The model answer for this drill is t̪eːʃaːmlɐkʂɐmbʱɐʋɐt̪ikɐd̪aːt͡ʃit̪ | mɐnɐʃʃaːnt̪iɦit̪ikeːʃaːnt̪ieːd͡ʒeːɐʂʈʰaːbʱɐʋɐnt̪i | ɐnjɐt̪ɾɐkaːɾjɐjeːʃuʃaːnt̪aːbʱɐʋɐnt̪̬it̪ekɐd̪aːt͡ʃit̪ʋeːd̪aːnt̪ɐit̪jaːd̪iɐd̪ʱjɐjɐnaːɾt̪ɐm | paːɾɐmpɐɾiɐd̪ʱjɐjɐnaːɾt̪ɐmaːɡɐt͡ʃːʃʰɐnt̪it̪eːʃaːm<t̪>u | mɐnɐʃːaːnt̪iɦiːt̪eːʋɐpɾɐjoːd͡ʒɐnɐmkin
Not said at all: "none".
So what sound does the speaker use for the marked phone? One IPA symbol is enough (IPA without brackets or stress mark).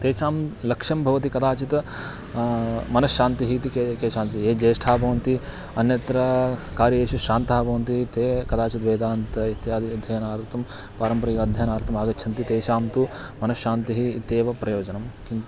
t̪